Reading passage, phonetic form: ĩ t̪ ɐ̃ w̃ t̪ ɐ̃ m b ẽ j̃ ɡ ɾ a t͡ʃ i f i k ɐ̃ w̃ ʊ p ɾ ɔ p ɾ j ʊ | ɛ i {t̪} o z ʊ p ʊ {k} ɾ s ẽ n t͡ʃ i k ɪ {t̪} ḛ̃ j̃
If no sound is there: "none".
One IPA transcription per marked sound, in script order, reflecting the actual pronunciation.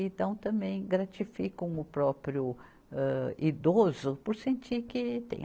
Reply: d̪, none, t̪

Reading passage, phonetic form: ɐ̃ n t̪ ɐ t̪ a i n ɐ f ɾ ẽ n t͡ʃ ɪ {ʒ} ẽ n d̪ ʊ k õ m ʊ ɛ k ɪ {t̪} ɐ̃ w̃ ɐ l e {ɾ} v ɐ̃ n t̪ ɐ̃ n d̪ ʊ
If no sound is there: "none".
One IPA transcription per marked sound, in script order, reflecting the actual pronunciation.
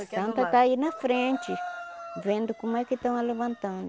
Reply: v, t̪, none

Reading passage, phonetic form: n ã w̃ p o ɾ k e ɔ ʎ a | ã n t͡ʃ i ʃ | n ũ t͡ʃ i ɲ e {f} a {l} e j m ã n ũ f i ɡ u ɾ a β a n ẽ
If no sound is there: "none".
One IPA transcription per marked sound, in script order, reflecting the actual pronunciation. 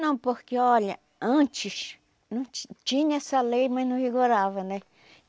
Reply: s, l

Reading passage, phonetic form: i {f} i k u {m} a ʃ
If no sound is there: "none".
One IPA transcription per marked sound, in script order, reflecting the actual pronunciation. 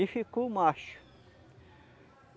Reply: f, m

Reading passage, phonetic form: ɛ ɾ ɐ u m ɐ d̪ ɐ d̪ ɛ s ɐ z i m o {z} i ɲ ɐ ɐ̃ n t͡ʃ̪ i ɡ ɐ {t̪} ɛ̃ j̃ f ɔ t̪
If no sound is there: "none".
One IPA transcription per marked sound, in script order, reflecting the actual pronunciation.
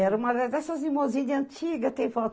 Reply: z, t̪

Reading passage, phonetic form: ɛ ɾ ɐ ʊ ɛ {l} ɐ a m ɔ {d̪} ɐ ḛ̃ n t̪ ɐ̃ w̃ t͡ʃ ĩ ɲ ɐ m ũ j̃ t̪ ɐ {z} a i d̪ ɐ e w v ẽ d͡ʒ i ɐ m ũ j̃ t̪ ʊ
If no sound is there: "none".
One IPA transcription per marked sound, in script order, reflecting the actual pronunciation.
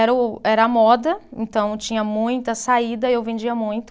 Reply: ɾ, d̪, s

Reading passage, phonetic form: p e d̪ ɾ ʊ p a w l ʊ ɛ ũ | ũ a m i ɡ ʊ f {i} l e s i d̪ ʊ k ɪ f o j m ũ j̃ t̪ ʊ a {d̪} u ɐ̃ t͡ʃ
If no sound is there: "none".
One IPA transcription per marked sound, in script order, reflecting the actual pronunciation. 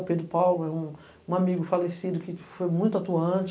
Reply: a, t̪

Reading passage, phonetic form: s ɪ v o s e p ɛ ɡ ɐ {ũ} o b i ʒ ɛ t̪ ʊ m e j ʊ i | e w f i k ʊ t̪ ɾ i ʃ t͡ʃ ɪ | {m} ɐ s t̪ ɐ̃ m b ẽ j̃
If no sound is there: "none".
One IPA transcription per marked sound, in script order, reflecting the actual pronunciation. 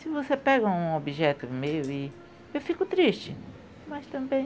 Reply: ũ, m

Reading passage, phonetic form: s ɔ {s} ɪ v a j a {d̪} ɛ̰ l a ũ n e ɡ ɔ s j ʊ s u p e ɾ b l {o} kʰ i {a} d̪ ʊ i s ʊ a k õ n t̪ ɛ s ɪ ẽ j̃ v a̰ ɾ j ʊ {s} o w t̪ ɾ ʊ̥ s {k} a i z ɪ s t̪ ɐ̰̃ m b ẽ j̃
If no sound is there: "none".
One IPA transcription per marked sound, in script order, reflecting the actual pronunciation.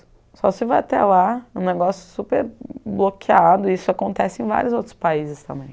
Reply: s, t̪, o, a, z, p

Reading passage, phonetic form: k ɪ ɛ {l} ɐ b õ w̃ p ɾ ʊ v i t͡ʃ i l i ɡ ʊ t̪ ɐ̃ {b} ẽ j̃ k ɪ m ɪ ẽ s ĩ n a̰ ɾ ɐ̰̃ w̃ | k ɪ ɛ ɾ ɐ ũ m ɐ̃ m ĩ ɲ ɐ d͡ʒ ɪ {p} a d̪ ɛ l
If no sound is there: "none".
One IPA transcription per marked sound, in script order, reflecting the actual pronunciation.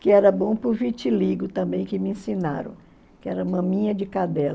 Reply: ɾ, b, k

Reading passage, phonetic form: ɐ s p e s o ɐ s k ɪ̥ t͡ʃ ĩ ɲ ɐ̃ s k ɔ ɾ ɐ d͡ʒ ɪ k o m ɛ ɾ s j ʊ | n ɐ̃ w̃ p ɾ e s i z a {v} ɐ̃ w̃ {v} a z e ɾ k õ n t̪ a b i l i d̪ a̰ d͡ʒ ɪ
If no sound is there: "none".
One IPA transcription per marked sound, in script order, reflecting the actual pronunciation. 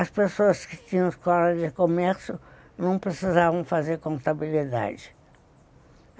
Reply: v, f

